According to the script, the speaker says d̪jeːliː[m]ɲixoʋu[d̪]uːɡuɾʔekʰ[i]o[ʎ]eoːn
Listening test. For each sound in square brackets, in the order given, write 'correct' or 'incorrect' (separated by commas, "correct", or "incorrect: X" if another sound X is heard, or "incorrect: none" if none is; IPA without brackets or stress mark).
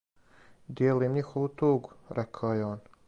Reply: correct, incorrect: t̪, incorrect: a, incorrect: j